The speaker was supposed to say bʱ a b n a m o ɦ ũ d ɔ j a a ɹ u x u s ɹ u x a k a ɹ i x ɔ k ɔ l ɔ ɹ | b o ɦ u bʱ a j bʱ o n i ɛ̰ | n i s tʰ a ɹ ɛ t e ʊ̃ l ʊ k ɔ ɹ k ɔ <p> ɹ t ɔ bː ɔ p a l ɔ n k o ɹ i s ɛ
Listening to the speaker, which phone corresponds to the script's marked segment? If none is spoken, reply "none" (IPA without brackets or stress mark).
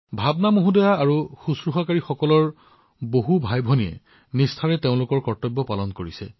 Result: none